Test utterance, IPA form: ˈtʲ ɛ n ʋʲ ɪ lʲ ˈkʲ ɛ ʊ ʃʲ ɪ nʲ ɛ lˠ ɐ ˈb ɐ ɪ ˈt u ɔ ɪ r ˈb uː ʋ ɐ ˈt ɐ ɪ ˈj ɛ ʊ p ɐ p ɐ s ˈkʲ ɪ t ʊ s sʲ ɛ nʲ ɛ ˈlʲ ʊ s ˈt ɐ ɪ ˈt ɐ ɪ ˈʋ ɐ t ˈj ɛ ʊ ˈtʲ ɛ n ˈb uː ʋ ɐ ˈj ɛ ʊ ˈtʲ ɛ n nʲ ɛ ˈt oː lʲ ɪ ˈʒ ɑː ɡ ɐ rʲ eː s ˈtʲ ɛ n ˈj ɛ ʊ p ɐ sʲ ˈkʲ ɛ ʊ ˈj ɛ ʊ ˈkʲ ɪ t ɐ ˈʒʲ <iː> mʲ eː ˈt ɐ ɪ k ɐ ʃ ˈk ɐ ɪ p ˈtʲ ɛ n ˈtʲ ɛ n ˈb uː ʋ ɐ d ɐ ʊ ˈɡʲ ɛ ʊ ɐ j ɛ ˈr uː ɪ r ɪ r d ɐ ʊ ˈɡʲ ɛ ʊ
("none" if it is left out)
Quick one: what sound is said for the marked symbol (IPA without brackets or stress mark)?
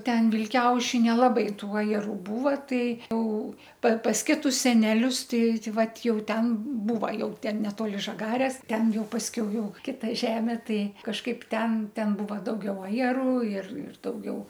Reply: æː